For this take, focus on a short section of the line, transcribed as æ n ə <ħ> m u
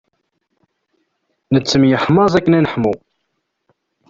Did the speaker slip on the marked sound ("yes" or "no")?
no